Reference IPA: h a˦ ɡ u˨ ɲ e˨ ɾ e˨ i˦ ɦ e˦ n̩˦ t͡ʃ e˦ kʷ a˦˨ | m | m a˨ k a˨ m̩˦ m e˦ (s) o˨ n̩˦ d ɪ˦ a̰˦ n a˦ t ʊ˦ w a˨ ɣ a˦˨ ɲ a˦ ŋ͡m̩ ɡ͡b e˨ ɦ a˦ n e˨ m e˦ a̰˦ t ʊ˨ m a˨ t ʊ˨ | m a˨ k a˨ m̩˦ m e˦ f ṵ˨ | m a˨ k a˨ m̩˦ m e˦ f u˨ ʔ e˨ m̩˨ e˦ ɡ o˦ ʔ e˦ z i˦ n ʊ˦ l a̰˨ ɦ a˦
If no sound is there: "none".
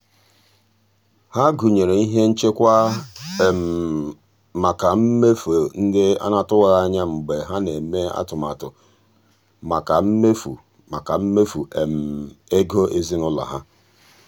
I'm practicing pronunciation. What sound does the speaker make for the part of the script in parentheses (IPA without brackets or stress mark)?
f